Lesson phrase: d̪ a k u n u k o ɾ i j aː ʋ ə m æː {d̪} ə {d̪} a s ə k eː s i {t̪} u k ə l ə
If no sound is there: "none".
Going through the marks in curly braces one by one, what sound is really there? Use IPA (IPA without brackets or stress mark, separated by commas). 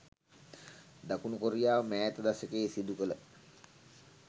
t̪, d̪, d̪